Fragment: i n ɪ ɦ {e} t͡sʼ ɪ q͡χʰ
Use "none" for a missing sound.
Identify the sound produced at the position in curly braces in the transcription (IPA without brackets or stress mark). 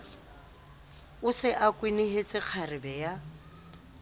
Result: e